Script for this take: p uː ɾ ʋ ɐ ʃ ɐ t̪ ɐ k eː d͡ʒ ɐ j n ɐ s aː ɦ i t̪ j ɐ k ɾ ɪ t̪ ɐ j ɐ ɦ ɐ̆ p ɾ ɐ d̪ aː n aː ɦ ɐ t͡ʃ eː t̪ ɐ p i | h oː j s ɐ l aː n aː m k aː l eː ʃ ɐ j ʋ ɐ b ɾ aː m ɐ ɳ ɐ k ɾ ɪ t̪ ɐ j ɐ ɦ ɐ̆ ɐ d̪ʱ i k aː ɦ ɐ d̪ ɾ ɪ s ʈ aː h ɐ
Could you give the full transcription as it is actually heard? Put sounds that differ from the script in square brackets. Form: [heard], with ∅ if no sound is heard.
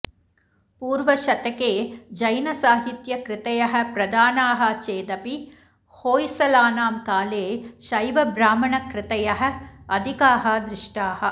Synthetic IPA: p uː ɾ ʋ ɐ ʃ ɐ t̪ ɐ k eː d͡ʒ ɐ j n ɐ s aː ɦ i t̪ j ɐ k ɾ ɪ t̪ ɐ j ɐ ɦ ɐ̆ p ɾ ɐ d̪ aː n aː ɦ ɐ t͡ʃ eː [d̪] ɐ p i | h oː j s ɐ l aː n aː m k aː l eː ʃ ɐ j ʋ ɐ b ɾ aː m ɐ ɳ ɐ k ɾ ɪ t̪ ɐ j ɐ ɦ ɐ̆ ɐ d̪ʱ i k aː ɦ ɐ d̪ ɾ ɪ [ʂ] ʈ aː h ɐ